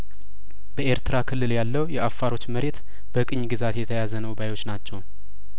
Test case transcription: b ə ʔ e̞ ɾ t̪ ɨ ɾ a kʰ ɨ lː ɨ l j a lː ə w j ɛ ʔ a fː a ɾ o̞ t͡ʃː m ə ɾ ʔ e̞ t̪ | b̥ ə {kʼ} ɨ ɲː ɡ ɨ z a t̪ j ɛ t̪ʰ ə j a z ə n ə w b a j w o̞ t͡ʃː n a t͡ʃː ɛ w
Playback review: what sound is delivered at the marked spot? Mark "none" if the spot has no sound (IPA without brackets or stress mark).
kʼ